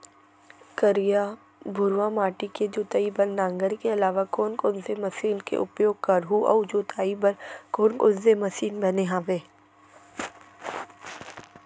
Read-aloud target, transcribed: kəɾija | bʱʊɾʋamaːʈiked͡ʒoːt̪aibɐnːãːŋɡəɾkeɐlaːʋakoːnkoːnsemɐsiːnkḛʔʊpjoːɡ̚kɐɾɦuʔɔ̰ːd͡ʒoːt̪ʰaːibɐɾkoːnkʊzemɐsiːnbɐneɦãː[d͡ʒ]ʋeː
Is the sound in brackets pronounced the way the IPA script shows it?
no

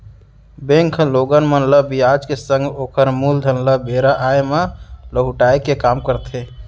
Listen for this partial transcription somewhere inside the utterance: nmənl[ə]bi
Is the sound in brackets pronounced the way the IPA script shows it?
yes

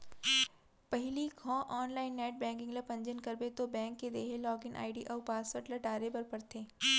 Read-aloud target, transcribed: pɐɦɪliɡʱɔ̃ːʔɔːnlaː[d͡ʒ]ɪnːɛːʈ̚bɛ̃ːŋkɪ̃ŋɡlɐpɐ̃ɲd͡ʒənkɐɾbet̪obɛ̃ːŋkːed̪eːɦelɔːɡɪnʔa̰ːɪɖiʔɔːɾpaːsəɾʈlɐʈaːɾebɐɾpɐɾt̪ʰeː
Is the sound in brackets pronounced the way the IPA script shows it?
no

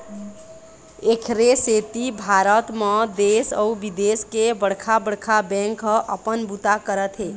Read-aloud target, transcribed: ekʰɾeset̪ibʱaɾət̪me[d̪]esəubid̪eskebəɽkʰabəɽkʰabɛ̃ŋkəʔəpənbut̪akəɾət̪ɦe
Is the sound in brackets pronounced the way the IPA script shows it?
yes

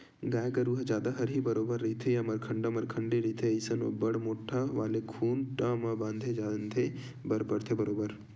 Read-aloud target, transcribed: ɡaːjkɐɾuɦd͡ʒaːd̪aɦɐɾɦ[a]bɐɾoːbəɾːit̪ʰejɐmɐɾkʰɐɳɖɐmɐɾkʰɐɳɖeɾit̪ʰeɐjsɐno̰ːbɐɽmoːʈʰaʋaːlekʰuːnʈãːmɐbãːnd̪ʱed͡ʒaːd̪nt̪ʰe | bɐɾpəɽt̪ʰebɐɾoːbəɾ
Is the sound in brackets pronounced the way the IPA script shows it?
no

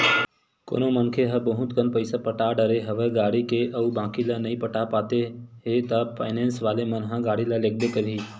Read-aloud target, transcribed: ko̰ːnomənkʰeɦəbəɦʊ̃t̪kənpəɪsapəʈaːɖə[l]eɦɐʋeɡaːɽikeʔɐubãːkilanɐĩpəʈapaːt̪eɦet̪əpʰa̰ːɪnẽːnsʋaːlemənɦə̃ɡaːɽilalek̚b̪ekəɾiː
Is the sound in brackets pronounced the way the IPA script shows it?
no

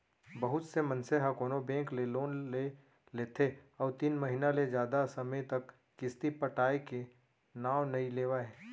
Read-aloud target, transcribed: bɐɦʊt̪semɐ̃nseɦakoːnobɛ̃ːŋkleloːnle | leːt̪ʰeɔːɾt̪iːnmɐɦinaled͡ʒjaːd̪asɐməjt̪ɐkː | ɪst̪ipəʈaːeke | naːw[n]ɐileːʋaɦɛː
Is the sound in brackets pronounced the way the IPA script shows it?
yes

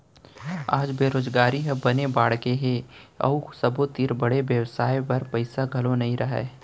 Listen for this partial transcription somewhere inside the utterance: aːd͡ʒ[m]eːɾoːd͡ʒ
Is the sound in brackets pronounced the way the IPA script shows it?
no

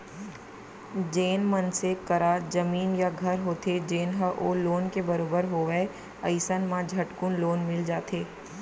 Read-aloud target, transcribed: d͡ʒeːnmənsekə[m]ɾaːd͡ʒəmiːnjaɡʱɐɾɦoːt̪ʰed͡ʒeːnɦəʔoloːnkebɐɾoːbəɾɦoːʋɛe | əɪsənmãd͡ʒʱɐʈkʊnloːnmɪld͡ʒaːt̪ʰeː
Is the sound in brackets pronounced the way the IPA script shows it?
no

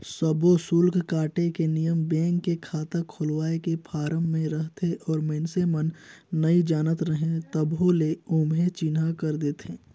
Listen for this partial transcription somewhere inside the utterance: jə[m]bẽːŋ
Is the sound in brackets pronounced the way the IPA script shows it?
yes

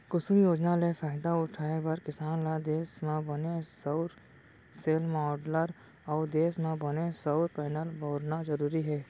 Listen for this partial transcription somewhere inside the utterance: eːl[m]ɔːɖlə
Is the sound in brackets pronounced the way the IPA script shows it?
yes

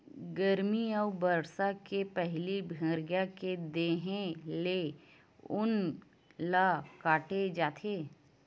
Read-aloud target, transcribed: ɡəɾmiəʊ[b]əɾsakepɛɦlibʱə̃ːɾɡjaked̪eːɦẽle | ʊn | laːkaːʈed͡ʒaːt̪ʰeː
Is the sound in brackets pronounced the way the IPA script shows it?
yes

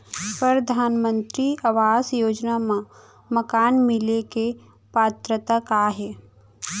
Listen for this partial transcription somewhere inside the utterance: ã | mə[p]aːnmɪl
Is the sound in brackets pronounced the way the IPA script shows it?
no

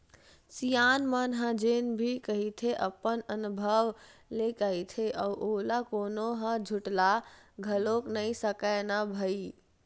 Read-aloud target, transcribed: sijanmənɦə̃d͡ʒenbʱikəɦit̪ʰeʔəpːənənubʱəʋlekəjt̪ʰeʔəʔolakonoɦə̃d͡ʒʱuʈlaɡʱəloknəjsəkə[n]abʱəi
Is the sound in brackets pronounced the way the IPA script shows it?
yes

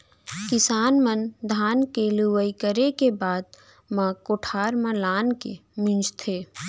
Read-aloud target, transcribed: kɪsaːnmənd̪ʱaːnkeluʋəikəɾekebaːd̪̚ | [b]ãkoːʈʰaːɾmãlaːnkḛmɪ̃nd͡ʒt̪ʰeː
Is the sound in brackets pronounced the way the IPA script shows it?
no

